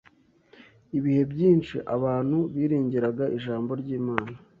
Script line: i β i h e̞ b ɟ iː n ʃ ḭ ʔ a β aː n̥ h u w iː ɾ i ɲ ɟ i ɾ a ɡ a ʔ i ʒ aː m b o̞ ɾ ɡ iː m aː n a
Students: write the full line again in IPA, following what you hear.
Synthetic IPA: i β i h e̞ b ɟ iː n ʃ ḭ ʔ a β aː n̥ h u β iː ɾ iː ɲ ɟ i ɾ a ɡ a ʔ i ʒ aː m b o̞ ɾ ɟ iː m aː n a

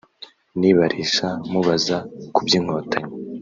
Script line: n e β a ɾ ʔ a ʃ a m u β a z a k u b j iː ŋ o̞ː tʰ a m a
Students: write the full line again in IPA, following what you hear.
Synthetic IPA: n i β a ɾ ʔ i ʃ a m u β a z a k u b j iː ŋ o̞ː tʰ a ɲ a

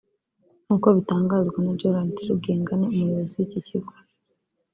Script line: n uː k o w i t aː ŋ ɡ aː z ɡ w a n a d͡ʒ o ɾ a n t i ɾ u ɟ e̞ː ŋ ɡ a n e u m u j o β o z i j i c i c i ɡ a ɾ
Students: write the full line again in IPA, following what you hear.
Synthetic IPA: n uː k o β i t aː ŋ ɡ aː z ɡ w a n a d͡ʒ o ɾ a n t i ɾ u ɡ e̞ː ŋ ɡ a n e u m u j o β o z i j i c i c i ɡ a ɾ

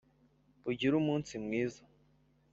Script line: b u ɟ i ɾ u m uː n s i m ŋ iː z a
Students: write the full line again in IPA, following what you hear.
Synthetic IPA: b u ɟ i ɾ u m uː n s i m ŋ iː z a

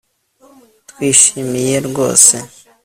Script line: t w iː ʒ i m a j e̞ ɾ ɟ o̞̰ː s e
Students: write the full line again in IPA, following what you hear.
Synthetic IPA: t w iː ʃ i m i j e̞ ɾ ɡ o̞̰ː s e

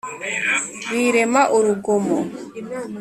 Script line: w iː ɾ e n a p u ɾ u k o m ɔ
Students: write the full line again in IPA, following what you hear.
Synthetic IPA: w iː ɾ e m a ʔ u ɾ u ɡ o m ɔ

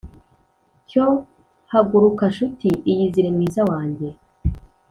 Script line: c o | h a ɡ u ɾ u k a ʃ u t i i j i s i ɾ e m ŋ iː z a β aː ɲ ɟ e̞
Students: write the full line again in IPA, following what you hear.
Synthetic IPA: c o | h a ɡ u ɾ u k a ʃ u t i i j i z i ɾ e m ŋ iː z a w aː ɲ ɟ e̞

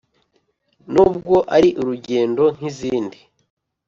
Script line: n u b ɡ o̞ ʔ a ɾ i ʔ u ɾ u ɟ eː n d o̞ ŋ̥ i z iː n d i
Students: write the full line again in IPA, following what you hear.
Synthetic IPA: n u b ɡ o̞ ʔ a ɾ i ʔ u ɾ u ɟ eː n d o̞ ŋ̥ i z iː n d i

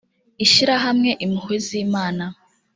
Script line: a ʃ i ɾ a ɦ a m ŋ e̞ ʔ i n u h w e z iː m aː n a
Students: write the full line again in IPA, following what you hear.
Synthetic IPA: i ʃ i ɾ a ɦ a m ŋ e̞ ʔ i m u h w e z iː m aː n a

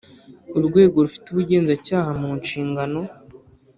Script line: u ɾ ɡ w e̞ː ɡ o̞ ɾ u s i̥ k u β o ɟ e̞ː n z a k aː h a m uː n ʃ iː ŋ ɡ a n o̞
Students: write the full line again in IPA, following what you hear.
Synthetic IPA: u ɾ ɡ w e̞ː ɡ o̞ ɾ u f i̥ t u β u ɟ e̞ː n z a c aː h a m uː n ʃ iː ŋ ɡ a n o̞

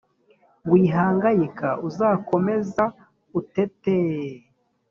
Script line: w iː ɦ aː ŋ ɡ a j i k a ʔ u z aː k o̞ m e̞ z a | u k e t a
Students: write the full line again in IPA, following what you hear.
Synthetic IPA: w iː ɦ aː ŋ ɡ a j i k a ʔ u z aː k o̞ m e̞ z a | u t e t e

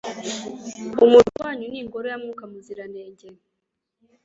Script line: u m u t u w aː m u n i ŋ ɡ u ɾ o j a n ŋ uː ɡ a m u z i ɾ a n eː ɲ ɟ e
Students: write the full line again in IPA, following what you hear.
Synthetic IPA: u m u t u w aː ɲ u n i ŋ ɡ o ɾ o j a m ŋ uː k a m u z i ɾ a n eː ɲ ɟ e

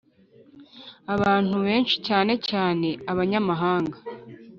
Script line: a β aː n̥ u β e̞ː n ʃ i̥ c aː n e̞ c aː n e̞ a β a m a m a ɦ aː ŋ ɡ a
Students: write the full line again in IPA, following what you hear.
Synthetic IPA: a β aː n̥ u β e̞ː n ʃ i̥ c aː n e̞ c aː n e̞ a β a ɲ a m a ɦ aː ŋ ɡ a

